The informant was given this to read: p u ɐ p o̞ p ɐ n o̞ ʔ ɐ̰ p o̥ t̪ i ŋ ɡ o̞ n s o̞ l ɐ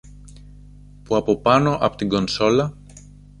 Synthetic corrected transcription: p u ɐ p o̞ p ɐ n o̞ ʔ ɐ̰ p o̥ t̪ i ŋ ɡ o̞ n s o̞ l ɐ

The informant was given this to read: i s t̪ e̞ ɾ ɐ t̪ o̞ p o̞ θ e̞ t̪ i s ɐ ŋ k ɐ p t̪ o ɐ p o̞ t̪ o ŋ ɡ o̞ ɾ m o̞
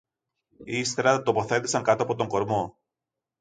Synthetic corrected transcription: i s t̪ e̞ ɾ ɐ t̪ o̞ p o̞ θ e̞ t̪ i s ɐ ŋ k ɐ t̪ o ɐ p o̞ t̪ o ŋ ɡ o̞ ɾ m o̞

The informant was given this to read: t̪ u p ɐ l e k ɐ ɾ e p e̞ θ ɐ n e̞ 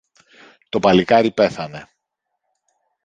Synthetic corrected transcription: t̪ o p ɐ l i k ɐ ɾ i p e̞ θ ɐ n e̞

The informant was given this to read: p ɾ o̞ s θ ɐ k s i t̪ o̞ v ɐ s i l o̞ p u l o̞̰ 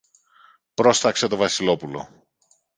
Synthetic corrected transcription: p ɾ o̞ s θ ɐ k s e t̪ o̞ v ɐ s i l o̞ p u l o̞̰

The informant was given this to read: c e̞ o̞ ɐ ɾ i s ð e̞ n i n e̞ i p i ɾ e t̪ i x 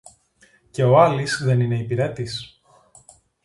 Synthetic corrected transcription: c e̞ o̞ ɐ l i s ð e̞ n i n e̞ i p i ɾ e t̪ i s

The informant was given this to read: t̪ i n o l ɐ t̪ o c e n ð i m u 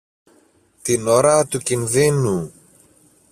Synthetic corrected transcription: t̪ i n o ɾ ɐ t̪ u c i n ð i n u

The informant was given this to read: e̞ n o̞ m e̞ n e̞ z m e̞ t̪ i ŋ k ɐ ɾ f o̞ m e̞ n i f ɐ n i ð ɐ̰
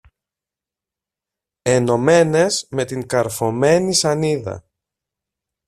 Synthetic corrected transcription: e̞ n o̞ m e̞ n e̞ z m e̞ t̪ i ŋ k ɐ ɾ f o̞ m e̞ n i s ɐ n i ð ɐ̰

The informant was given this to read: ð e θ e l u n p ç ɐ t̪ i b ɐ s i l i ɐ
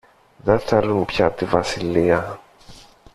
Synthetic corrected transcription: ð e θ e l u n p ç ɐ t̪ i v ɐ s i l i ɐ

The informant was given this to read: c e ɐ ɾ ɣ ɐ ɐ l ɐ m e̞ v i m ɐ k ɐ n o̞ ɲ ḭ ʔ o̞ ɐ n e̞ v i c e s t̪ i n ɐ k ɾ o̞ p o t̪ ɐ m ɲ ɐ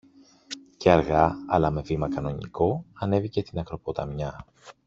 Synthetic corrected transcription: c e ɐ ɾ ɣ ɐ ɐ l ɐ m e̞ v i m ɐ k ɐ n o̞ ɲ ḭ k o̞ ɐ n e̞ v i c e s t̪ i n ɐ k ɾ o̞ p o t̪ ɐ m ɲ ɐ

